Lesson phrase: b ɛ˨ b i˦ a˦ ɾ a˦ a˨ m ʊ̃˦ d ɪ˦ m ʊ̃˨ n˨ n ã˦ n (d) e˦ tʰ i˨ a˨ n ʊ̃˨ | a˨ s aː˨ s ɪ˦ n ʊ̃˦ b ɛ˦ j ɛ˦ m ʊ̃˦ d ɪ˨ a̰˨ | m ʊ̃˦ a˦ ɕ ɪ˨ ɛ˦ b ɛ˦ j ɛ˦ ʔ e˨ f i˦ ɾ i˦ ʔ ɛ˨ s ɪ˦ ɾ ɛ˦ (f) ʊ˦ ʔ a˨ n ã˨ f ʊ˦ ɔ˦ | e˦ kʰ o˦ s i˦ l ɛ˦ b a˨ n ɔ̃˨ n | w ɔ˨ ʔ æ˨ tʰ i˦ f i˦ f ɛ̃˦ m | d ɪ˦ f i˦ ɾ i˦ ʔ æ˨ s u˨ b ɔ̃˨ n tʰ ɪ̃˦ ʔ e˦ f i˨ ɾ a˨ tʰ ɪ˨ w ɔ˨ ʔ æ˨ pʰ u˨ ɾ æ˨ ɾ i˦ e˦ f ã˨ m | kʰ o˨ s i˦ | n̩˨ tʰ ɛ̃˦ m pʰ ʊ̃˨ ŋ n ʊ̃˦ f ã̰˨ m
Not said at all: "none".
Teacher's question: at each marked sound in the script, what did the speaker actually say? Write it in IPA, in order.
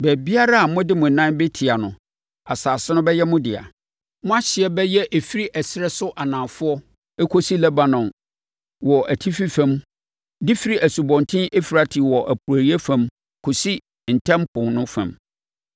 b, s

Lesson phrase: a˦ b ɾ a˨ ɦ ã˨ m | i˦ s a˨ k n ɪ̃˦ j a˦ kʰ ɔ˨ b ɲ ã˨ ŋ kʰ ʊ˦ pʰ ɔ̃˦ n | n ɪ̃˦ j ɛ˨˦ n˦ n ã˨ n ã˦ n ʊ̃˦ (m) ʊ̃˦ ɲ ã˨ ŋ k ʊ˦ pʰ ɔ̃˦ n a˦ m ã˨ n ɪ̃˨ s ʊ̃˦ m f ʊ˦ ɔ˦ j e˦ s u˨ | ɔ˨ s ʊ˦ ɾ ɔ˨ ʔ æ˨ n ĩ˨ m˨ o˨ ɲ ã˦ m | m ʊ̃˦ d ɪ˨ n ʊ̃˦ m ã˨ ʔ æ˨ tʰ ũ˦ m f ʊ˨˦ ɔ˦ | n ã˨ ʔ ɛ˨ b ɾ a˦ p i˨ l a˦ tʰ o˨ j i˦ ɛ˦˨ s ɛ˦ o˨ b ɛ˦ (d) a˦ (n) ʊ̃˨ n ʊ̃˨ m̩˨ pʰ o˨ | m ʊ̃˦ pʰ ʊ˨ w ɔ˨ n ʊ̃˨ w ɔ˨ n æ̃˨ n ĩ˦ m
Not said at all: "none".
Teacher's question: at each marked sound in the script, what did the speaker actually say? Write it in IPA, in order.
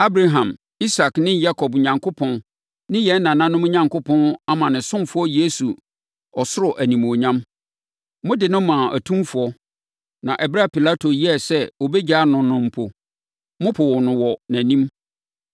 m, d͡ʑ, n

